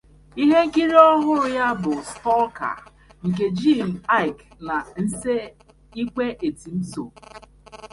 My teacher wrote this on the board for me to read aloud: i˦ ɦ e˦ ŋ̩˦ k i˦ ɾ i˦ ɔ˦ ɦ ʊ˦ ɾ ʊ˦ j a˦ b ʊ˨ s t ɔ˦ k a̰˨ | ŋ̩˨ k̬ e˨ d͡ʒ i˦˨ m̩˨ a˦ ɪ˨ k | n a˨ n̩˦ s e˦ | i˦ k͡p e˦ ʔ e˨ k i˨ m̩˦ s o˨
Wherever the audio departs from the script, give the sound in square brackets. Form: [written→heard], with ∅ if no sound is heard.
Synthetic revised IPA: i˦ ɦ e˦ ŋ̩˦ k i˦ ɾ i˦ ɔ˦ ɦ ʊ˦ ɾ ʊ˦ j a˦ b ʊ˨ s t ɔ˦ k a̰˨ | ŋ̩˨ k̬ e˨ d͡ʒ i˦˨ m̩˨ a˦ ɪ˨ k | n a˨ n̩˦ s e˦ | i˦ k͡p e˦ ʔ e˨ [k→t] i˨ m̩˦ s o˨